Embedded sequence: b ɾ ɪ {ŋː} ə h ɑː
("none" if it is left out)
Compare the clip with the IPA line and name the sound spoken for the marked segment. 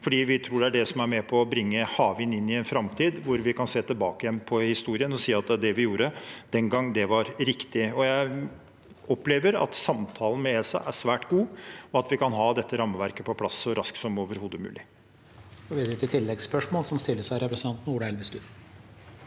ŋː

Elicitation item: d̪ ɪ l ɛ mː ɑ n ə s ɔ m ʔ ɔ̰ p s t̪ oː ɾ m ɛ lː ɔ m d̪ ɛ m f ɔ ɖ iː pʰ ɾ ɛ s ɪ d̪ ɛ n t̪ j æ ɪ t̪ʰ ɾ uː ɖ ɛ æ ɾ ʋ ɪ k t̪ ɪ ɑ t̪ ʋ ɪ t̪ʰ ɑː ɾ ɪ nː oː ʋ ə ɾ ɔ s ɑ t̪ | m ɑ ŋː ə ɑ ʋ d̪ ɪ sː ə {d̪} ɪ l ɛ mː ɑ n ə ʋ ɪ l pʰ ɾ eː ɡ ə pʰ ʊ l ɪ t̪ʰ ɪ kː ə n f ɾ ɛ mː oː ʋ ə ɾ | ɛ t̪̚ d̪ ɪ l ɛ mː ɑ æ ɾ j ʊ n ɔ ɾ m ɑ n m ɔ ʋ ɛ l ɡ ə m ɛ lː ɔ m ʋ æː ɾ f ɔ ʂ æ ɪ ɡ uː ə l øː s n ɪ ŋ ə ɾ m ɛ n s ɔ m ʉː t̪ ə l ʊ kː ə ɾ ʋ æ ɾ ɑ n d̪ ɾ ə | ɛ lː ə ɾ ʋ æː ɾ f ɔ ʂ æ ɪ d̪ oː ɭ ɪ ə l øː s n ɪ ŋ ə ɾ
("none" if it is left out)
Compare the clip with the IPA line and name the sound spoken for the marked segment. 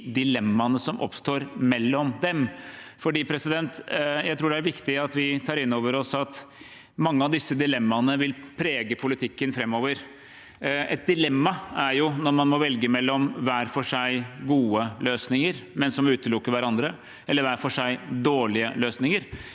d̪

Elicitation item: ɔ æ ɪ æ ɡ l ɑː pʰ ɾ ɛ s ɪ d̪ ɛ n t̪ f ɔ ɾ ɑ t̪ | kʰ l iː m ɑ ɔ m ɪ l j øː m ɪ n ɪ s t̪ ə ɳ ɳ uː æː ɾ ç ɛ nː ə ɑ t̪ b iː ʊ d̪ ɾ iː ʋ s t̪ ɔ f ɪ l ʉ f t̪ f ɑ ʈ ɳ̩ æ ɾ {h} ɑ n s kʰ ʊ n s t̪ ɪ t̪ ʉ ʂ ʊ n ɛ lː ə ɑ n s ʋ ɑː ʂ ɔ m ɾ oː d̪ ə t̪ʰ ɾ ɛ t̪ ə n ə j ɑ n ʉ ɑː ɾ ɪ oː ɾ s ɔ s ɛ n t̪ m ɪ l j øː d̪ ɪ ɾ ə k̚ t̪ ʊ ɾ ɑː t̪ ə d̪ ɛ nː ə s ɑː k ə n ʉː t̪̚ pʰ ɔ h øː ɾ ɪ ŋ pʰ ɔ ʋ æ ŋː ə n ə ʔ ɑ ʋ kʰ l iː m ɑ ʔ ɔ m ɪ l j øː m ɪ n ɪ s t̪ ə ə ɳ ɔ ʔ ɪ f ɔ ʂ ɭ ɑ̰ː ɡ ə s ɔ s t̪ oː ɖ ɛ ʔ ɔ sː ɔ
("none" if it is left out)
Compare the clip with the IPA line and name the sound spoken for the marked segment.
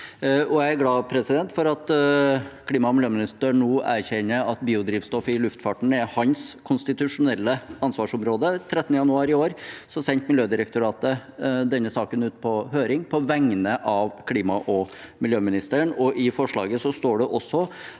h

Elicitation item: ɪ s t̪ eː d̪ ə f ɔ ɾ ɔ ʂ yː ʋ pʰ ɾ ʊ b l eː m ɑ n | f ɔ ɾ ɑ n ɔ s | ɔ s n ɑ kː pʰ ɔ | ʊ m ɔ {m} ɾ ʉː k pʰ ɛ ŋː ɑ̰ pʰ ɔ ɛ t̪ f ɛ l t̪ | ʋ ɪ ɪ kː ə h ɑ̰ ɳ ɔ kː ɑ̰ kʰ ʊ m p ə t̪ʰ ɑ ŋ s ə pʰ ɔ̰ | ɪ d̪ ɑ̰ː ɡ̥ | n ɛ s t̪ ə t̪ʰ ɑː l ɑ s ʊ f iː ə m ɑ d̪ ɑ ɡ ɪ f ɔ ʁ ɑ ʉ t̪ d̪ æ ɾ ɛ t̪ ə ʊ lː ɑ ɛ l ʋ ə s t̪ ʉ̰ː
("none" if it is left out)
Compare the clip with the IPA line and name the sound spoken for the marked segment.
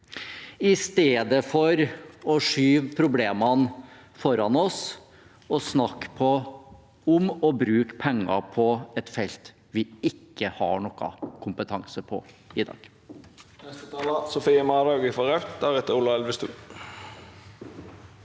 b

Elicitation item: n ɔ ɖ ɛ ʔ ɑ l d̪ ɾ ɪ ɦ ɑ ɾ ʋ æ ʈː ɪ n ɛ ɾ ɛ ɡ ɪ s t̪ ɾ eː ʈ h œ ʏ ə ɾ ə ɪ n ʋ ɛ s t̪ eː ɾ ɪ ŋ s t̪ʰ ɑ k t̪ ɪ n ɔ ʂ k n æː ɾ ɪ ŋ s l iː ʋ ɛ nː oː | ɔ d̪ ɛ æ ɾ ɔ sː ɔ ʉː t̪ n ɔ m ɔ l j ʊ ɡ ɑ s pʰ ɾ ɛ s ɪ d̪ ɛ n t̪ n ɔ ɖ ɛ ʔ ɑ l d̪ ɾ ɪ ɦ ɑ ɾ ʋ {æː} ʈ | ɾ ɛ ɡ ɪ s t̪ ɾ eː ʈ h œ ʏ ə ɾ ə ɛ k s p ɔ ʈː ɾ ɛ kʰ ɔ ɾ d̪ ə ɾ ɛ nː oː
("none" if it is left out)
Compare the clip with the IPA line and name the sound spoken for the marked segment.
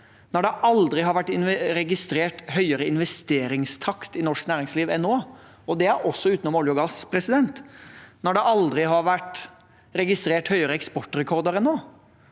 æ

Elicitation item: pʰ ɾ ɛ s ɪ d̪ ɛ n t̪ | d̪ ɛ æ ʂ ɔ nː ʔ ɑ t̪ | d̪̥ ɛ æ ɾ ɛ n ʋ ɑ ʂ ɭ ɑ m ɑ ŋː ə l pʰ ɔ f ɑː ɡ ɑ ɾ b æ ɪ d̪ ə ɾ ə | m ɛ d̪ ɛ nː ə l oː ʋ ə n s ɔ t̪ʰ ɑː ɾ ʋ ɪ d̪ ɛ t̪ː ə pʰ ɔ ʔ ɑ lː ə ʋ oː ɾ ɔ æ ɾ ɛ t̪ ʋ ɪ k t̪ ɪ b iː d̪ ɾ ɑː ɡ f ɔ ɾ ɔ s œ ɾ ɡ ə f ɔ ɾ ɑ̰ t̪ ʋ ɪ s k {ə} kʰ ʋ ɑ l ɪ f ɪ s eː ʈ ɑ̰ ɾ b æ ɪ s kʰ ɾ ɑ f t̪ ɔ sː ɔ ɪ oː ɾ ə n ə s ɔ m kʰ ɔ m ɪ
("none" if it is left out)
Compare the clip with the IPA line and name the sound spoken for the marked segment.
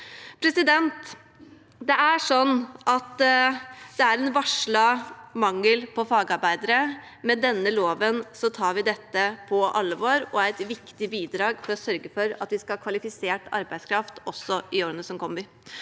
ɑ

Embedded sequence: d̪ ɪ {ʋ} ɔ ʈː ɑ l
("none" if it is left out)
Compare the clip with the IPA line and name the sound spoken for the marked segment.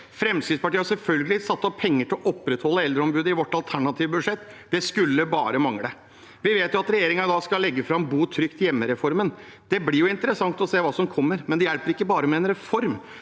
ʋ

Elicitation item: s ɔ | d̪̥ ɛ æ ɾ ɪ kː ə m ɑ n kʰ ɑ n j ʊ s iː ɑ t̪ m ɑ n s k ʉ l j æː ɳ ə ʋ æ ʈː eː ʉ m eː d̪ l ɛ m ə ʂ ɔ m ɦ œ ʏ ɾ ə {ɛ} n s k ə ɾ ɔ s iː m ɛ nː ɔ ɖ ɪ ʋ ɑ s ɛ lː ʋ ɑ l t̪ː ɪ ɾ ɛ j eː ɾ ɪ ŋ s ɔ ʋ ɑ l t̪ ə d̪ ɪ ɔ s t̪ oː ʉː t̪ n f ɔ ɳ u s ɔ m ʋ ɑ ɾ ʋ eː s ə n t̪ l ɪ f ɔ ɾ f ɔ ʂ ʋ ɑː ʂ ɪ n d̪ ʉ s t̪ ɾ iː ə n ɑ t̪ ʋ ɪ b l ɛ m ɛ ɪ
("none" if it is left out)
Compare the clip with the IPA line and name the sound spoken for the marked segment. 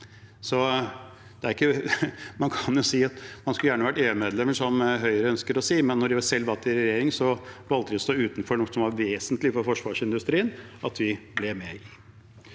œ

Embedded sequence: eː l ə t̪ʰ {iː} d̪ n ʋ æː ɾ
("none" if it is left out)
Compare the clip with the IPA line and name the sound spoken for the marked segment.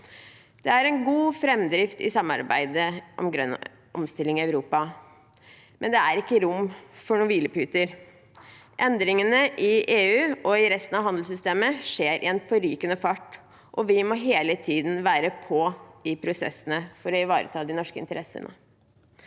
iː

